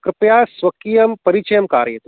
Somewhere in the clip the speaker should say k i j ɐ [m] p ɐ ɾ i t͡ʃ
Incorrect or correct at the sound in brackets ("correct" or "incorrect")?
correct